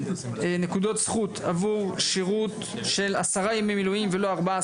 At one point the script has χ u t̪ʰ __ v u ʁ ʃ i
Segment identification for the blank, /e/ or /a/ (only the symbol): a